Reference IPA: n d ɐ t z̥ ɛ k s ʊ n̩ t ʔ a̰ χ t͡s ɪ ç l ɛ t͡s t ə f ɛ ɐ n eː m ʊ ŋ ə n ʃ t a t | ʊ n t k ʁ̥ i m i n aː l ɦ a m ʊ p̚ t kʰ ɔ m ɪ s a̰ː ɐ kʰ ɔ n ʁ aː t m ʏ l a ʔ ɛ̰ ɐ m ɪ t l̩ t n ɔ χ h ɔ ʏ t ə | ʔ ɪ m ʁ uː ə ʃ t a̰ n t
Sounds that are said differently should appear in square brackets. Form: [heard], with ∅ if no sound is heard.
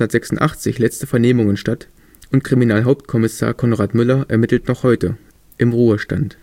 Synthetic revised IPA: n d ɐ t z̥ ɛ k s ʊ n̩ t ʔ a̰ χ t͡s ɪ ç l ɛ t͡s t ə f ɛ ɐ n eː m ʊ ŋ ə n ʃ t a t | ʊ n t k ʁ̥ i m i n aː l ɦ a [∅] ʊ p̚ t kʰ ɔ m ɪ s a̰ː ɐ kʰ ɔ n ʁ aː t m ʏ l [ɐ] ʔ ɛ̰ ɐ m ɪ t l̩ t n ɔ χ h ɔ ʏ t ə | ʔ ɪ m ʁ uː ə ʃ t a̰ n t